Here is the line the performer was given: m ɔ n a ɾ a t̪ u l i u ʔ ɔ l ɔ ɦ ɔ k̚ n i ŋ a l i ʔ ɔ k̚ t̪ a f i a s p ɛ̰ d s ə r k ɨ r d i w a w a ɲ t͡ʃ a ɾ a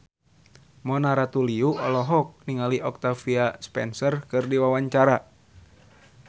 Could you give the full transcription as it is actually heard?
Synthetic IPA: m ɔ n a ɾ a t̪ u l i u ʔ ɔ l ɔ ɦ ɔ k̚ n i ŋ a l i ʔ ɔ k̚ t̪ a f i a s p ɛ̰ n s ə r k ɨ r d i w a w a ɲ t͡ʃ a ɾ a